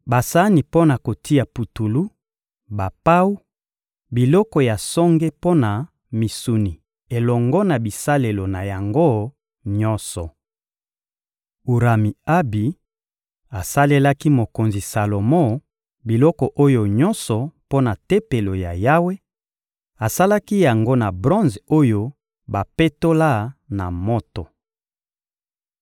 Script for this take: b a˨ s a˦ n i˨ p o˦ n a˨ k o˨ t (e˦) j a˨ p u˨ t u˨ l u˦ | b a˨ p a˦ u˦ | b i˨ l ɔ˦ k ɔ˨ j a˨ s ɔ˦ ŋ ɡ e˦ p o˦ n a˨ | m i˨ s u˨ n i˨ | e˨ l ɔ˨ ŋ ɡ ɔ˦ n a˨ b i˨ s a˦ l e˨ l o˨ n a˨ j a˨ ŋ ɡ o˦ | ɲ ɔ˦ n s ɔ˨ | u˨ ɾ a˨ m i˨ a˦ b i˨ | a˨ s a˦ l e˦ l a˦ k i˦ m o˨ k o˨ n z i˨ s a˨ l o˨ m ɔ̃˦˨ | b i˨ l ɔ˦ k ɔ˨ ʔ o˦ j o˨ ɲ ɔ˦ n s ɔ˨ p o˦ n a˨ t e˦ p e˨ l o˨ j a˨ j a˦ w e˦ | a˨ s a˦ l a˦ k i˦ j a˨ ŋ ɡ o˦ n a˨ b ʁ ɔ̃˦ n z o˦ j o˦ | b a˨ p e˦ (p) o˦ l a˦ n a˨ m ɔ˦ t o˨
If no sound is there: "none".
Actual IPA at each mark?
i˦, t

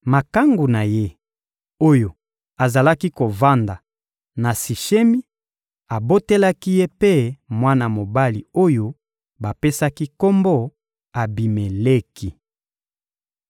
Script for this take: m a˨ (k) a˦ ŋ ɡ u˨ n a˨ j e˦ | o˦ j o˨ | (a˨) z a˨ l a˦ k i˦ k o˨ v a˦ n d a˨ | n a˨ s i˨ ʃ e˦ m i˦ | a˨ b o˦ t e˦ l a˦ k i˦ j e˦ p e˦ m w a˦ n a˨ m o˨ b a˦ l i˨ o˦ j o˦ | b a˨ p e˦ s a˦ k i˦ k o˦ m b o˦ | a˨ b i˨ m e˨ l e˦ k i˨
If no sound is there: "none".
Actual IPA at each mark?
k, a˨

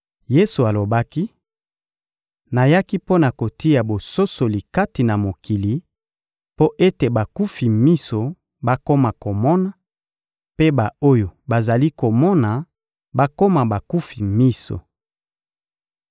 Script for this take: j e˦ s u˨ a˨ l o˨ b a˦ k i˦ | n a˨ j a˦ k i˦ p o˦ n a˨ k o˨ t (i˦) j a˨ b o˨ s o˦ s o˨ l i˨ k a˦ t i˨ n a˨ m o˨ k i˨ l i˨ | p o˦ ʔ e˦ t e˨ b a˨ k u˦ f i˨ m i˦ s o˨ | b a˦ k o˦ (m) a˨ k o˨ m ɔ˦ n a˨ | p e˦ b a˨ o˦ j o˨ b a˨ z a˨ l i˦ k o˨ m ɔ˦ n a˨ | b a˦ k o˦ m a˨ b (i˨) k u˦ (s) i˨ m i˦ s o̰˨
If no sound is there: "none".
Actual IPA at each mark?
i˦, m, a˨, f

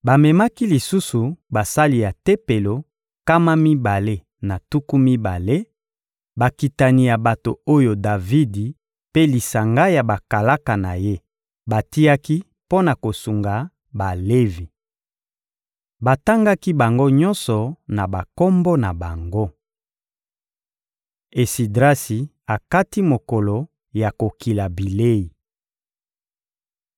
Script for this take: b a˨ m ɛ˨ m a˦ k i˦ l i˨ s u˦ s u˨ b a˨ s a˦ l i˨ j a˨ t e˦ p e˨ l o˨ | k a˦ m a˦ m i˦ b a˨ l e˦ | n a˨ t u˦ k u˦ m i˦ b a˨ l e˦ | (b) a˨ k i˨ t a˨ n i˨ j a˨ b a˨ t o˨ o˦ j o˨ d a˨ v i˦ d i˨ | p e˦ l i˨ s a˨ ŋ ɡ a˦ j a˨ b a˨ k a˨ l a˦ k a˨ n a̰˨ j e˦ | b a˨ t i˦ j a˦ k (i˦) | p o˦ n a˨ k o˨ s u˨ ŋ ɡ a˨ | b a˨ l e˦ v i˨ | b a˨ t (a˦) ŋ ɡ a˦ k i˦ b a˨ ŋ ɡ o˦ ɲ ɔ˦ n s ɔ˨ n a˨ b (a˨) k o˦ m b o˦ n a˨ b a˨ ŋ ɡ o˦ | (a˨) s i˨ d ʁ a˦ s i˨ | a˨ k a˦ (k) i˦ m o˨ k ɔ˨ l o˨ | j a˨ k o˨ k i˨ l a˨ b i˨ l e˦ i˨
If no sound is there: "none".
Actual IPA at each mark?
b, i˦, a˦, a˨, e˨, t

